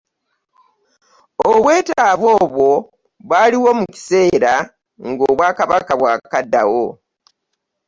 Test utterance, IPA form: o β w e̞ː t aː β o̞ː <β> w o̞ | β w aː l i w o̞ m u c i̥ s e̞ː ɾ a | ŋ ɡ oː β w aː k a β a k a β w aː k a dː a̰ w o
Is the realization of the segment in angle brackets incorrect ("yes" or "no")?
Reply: no